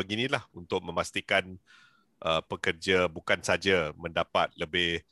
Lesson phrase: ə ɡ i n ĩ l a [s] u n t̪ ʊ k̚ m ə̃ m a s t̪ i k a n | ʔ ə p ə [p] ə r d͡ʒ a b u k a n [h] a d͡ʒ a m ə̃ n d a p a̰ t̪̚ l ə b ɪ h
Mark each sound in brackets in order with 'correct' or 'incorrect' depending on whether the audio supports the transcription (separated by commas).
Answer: incorrect, incorrect, incorrect